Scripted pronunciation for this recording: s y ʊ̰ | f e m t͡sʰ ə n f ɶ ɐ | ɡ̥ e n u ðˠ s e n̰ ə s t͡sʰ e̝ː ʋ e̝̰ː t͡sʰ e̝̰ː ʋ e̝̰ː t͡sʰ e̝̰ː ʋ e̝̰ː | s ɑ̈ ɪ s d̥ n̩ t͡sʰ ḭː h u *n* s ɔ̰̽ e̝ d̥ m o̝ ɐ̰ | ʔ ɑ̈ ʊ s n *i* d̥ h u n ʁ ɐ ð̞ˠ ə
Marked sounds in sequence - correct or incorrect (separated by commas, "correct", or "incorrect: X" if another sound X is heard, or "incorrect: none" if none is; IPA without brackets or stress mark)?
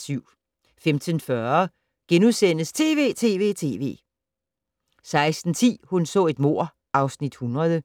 correct, correct